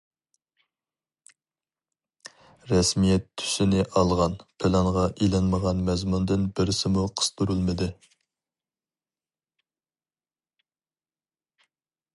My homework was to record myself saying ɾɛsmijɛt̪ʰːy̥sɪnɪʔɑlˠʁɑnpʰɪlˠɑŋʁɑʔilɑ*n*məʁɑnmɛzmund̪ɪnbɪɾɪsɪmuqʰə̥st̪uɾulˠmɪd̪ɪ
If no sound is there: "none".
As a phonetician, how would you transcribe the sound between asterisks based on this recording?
n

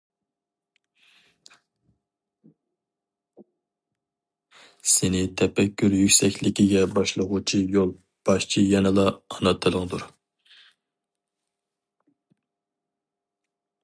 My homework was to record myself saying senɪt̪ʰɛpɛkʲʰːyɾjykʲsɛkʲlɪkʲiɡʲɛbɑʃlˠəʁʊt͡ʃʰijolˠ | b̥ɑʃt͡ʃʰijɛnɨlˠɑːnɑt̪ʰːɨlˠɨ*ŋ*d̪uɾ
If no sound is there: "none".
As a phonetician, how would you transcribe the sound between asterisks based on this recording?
ŋ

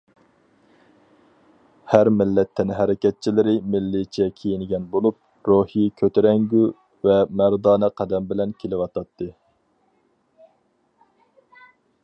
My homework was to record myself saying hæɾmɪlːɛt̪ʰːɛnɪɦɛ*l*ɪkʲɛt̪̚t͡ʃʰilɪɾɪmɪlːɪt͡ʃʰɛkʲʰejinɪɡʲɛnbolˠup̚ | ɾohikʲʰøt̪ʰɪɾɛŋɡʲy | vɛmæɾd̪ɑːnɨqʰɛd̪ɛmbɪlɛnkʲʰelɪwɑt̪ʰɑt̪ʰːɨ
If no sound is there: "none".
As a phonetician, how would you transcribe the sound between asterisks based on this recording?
ɾ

